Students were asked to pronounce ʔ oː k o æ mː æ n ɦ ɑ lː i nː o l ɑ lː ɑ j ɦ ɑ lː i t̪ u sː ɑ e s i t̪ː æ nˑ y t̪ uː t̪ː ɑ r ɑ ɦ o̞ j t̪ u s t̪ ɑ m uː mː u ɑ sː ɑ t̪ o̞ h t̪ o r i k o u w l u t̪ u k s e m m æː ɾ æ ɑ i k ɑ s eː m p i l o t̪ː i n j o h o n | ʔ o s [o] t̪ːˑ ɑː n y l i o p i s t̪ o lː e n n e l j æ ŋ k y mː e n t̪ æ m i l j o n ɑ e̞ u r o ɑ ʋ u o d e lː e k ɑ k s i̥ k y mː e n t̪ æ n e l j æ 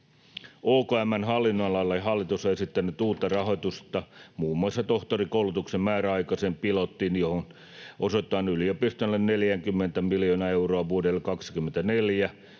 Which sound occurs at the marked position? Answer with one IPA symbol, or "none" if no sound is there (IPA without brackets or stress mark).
o